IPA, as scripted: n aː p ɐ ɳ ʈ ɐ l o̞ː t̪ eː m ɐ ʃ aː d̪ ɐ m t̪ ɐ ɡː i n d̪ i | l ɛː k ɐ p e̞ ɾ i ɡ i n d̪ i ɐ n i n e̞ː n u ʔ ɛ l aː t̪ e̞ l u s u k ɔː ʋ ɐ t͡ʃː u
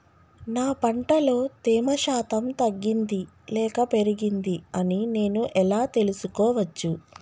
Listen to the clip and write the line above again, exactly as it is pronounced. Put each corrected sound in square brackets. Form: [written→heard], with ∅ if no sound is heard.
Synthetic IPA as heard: n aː p ɐ ɳ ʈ ɐ l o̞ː t̪ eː m ɐ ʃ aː [d̪→t̪] ɐ m t̪ ɐ ɡː i n d̪ i | l ɛː k ɐ p e̞ ɾ i ɡ i n d̪ i ɐ n i n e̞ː n u ʔ ɛ l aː t̪ e̞ l u s u k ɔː ʋ ɐ t͡ʃː u

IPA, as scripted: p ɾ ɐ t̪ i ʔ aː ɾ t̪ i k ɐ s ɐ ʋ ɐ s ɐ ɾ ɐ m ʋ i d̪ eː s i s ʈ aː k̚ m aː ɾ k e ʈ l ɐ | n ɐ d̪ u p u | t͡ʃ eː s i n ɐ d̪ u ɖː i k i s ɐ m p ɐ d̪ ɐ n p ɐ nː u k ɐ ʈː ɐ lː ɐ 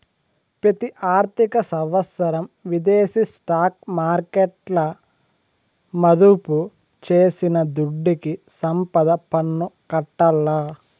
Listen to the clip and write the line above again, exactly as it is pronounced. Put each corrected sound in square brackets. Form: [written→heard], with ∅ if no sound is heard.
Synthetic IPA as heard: p ɾ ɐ t̪ i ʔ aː ɾ t̪ i k ɐ s ɐ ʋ ɐ s ɐ ɾ ɐ m ʋ i d̪ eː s i s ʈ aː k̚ m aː ɾ k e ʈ l ɐ | [n→m] ɐ d̪ u p u | t͡ʃ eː s i n ɐ d̪ u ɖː i k i s ɐ m p ɐ d̪ ɐ [n→∅] p ɐ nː u k ɐ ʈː ɐ lː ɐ

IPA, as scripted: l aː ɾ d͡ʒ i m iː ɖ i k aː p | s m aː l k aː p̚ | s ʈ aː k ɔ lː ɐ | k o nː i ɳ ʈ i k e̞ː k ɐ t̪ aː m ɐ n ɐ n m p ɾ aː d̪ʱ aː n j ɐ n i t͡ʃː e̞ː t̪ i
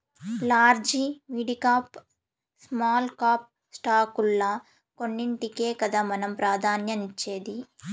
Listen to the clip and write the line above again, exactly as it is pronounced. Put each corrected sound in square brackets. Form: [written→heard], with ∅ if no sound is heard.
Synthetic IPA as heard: l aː ɾ d͡ʒ i m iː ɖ i k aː p | s m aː l k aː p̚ | s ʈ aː k [ɔ→u] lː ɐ | k o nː i ɳ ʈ i k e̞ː k ɐ [t̪→d̪] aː m ɐ n ɐ [n→∅] m p ɾ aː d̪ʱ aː n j ɐ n i t͡ʃː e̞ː [t̪→d̪] i

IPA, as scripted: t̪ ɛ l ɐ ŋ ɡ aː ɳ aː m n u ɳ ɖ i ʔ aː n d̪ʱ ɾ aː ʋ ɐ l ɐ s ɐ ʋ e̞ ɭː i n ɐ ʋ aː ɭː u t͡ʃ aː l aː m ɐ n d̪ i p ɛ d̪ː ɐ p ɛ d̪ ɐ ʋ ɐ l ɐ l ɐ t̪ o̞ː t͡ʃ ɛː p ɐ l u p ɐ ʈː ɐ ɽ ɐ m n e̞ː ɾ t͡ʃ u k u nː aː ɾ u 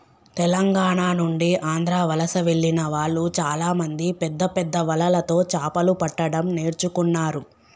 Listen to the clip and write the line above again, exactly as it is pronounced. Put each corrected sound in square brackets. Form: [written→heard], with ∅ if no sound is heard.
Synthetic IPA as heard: t̪ ɛ l ɐ ŋ ɡ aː ɳ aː [m→∅] n u ɳ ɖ i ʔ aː n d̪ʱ ɾ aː ʋ ɐ l ɐ s ɐ ʋ e̞ ɭː i n ɐ ʋ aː ɭː u t͡ʃ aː l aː m ɐ n d̪ i p ɛ d̪ː ɐ p ɛ [d̪→d̪ː] ɐ ʋ ɐ l ɐ l ɐ t̪ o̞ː t͡ʃ [ɛː→aː] p ɐ l u p ɐ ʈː ɐ ɽ ɐ m n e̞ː ɾ t͡ʃ u k u nː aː ɾ u

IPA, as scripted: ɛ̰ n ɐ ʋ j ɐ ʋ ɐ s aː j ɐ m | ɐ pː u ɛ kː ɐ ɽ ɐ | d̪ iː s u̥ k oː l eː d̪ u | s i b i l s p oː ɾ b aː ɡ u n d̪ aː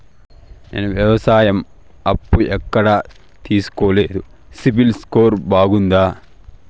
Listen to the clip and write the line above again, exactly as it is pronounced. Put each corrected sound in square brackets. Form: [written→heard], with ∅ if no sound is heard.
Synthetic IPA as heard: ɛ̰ n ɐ ʋ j ɐ ʋ ɐ s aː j ɐ m | ɐ pː u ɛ kː ɐ ɽ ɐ | [d̪→t̪] iː s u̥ k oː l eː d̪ u | s i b i l s [p→k] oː ɾ b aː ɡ u n d̪ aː

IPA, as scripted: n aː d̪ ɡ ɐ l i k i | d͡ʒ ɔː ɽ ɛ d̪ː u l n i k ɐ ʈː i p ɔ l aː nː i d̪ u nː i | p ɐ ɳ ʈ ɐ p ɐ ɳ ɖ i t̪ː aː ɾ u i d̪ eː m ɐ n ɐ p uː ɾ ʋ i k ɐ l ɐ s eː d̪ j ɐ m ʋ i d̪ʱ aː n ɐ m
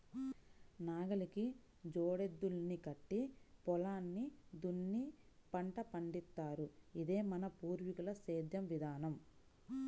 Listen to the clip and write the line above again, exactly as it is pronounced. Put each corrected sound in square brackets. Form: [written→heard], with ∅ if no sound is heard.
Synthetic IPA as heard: n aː [d̪→∅] ɡ ɐ l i k i | d͡ʒ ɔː ɽ [ɛ→e] d̪ː u l n i k ɐ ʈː i p ɔ l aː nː i d̪ u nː i | p ɐ ɳ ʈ ɐ p ɐ ɳ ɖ i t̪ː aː ɾ u i d̪ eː m ɐ n ɐ p uː ɾ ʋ i k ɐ l ɐ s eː d̪ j ɐ m ʋ i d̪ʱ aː n ɐ m

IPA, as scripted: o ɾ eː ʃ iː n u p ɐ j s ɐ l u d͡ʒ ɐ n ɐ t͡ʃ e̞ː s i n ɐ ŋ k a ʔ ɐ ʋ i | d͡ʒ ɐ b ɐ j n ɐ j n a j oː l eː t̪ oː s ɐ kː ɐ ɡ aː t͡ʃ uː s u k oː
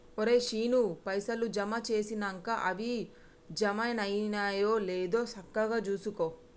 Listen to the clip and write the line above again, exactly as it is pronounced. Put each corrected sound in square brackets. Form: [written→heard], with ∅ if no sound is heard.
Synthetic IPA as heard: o ɾ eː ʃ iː n u p ɐ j s ɐ l u d͡ʒ ɐ [n→m] ɐ t͡ʃ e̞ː s i n ɐ ŋ k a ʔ ɐ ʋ i | d͡ʒ ɐ [b→m] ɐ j n ɐ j n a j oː l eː [t̪→d̪] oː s ɐ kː ɐ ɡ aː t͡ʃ uː s u k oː

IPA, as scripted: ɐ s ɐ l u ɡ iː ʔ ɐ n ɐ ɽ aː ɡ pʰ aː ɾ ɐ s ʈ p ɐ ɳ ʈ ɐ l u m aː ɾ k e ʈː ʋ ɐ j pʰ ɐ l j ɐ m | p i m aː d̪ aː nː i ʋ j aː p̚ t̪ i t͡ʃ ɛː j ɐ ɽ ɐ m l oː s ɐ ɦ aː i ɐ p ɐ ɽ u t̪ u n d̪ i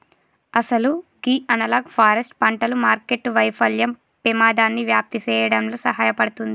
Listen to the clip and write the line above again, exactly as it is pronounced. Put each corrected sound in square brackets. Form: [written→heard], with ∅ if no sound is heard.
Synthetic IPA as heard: ɐ s ɐ l u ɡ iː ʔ ɐ n ɐ [ɽ→l] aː ɡ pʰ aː ɾ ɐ s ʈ p ɐ ɳ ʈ ɐ l u m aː ɾ k e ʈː ʋ ɐ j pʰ ɐ l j ɐ m | p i m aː d̪ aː nː i ʋ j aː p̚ t̪ i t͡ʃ ɛː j ɐ ɽ ɐ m l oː s ɐ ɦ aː [i→j] ɐ p ɐ ɽ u t̪ u n d̪ i

